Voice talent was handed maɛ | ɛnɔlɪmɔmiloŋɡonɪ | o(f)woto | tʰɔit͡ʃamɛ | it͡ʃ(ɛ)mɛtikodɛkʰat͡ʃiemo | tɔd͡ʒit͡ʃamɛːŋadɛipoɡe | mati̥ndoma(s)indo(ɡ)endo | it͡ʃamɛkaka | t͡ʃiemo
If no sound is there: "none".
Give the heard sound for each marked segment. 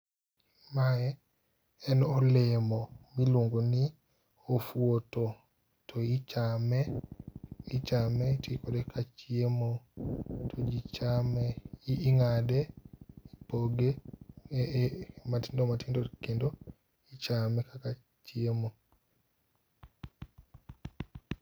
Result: f, a, t, k

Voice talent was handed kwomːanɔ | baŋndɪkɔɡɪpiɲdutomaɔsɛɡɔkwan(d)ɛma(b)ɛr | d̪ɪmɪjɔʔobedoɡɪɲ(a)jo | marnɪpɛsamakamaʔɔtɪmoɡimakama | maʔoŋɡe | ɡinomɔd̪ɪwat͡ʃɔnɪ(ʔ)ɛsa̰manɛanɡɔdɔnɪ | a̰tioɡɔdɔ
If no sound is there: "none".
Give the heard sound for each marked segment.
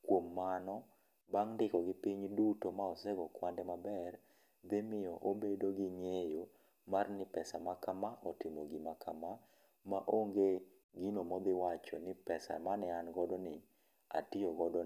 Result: d, b, e, p

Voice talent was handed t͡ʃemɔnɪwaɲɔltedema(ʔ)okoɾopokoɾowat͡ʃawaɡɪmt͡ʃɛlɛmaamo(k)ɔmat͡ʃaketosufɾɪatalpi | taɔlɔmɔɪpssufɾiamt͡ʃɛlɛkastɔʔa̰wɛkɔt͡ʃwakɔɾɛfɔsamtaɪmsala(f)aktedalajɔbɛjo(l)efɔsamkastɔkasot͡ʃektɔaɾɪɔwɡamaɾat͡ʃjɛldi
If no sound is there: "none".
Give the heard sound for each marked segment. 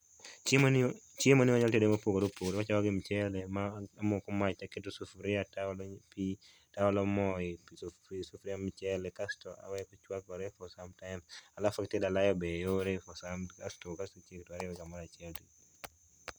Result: p, k, f, ɾ

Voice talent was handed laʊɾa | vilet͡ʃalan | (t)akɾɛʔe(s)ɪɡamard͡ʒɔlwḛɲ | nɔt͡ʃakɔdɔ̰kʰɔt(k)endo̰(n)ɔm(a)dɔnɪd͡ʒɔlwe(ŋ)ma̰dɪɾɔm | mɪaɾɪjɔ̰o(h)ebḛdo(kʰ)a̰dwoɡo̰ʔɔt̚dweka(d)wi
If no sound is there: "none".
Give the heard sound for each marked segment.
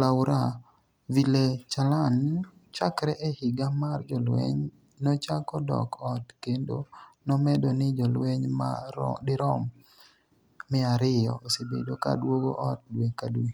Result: t͡ʃ, h, k, n, ɛ, ɲ, s, k, d

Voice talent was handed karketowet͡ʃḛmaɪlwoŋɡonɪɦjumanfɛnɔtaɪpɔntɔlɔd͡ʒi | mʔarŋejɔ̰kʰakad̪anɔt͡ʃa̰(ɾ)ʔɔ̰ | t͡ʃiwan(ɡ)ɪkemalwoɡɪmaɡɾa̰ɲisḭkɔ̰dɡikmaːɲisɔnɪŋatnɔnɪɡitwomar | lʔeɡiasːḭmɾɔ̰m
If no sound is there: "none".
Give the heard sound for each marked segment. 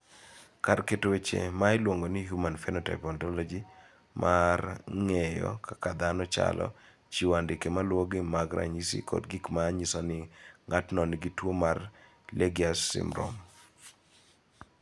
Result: l, d

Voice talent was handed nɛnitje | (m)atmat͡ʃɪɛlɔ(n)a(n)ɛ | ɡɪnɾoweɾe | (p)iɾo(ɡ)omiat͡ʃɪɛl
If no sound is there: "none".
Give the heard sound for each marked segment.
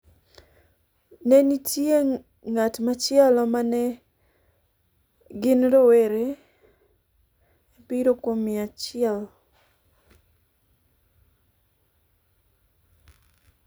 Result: ŋ, m, n, p, k

